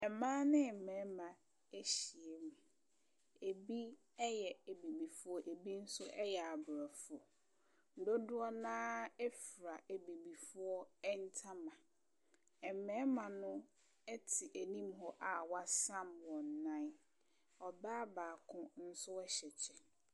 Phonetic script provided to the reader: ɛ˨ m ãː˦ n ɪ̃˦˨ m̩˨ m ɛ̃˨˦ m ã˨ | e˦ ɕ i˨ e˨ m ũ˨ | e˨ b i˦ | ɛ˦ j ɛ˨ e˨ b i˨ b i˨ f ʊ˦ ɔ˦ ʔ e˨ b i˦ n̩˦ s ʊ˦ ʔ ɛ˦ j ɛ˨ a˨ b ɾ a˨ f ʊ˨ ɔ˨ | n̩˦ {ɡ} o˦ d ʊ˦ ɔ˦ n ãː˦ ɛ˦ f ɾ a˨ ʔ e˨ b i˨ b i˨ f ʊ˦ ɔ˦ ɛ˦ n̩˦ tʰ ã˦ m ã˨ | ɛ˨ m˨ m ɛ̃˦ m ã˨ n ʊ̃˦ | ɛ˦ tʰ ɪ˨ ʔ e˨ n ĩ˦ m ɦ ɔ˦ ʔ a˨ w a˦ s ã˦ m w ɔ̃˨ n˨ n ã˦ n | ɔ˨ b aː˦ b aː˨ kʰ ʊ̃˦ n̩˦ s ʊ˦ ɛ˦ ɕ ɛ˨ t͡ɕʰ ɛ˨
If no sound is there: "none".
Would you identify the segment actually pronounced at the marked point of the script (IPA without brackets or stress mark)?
d